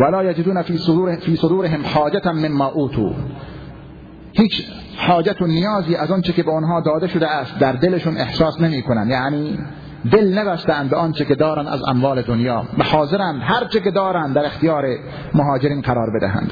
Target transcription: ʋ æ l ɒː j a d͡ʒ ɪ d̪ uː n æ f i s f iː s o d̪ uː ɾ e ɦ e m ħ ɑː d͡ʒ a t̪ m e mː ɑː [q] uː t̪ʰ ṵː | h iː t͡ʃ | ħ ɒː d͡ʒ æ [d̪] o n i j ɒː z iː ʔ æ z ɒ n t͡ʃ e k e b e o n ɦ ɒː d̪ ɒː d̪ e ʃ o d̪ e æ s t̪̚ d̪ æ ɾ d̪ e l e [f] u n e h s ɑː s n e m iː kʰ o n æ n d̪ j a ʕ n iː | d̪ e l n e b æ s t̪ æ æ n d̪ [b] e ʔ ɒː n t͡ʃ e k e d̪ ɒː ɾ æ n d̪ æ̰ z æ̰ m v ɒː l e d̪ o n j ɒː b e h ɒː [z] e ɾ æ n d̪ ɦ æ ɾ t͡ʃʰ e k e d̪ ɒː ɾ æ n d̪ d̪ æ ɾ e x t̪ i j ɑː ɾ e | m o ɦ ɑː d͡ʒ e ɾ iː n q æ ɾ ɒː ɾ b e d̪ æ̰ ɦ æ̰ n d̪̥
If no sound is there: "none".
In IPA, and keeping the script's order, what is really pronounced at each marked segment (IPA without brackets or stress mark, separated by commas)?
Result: ʔ, t̪, ʃ, b, z